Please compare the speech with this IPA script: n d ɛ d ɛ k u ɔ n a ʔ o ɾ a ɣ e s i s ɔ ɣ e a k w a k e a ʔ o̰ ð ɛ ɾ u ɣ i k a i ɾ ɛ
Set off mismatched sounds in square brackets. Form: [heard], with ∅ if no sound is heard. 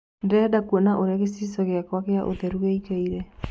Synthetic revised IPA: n d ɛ d [a] k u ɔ n a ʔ o ɾ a ɣ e s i s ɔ ɣ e a k w a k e a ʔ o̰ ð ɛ ɾ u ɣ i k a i ɾ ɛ